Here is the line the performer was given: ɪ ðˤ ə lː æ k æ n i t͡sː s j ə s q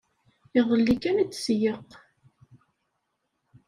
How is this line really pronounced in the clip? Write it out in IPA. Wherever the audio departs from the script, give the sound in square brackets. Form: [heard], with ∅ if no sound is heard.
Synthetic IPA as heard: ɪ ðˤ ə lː [i] k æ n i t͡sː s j ə [∅] q